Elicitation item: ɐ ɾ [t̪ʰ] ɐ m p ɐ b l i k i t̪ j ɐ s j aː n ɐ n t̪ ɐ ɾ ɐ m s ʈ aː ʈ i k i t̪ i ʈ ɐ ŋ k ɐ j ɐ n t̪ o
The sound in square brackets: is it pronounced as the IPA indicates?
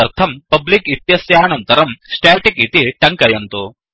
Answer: yes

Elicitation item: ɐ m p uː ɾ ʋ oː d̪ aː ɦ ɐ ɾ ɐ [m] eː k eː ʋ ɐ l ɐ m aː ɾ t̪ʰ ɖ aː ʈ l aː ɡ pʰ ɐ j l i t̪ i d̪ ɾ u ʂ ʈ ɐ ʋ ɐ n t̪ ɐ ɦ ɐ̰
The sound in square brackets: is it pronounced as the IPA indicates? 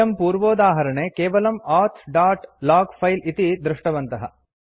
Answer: no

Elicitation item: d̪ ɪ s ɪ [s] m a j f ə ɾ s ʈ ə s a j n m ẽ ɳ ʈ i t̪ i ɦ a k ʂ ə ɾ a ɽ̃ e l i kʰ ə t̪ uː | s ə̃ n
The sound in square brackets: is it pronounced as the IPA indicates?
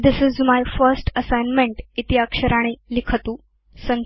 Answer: no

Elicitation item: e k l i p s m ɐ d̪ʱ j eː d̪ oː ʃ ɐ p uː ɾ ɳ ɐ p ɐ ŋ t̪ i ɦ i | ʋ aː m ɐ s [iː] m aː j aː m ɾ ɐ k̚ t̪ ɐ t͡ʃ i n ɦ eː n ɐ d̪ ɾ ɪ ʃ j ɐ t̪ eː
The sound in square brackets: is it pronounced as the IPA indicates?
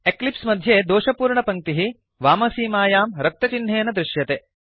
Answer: yes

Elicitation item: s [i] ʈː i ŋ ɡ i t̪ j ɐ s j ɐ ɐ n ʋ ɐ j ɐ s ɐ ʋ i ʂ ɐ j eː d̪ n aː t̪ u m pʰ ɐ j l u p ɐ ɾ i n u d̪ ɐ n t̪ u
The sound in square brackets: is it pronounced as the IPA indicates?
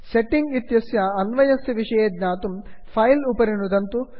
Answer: no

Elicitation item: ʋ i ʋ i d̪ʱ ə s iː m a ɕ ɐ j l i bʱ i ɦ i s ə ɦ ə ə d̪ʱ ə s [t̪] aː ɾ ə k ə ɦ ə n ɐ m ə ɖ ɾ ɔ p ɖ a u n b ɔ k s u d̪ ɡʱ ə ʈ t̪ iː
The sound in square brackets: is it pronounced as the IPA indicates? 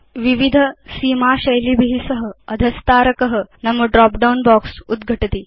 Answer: yes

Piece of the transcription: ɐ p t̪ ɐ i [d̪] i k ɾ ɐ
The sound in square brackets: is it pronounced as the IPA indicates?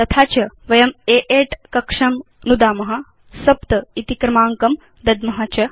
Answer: no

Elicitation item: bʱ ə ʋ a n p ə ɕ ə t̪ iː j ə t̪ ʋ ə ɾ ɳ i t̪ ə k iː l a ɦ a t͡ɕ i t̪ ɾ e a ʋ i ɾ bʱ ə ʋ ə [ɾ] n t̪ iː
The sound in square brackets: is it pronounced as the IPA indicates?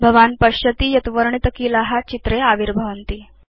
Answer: no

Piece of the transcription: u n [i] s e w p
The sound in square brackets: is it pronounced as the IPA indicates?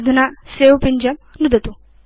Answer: no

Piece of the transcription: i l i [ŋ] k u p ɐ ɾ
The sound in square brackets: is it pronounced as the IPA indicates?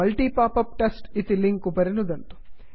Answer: yes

